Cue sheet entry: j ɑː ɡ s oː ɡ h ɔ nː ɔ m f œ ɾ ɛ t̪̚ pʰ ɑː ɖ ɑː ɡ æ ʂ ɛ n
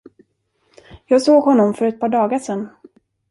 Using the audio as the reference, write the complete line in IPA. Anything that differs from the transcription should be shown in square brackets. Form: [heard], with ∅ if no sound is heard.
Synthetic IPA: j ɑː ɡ s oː ɡ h ɔ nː ɔ m f œ ɾ ɛ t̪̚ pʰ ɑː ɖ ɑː ɡ [a] ʂ ɛ n